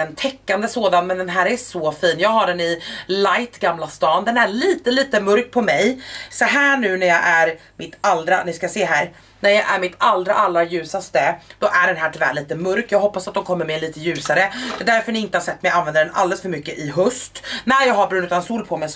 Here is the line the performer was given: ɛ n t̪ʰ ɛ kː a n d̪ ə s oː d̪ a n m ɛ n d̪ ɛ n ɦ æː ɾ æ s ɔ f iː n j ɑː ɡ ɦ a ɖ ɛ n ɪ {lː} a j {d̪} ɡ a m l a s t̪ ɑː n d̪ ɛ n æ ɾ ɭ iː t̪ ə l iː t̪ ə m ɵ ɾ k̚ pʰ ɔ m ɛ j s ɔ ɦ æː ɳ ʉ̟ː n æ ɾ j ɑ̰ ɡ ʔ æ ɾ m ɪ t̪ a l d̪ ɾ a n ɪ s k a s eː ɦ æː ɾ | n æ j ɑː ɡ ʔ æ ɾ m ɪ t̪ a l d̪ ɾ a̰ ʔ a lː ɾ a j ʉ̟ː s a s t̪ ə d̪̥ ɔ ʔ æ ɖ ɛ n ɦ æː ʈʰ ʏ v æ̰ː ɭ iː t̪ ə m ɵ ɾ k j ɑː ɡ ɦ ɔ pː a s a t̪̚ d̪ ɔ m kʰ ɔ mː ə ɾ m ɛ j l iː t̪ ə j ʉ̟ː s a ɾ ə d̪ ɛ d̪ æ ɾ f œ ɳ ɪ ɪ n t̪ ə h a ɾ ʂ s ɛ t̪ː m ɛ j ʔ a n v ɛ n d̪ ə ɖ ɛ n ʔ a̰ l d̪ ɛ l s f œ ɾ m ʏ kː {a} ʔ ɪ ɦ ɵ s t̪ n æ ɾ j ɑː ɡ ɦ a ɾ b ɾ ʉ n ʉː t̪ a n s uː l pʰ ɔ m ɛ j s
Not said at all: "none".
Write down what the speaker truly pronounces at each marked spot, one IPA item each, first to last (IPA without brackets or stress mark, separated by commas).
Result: l, t̪, ə